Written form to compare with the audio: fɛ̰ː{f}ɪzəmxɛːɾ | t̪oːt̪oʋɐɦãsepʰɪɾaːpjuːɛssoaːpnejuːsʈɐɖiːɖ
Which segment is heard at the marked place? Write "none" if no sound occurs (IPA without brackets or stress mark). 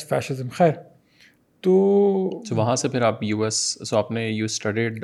ʃ